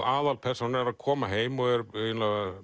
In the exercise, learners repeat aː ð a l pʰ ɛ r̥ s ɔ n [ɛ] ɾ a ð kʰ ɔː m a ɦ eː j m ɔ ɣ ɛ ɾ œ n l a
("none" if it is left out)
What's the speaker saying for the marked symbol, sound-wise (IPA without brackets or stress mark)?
ɛ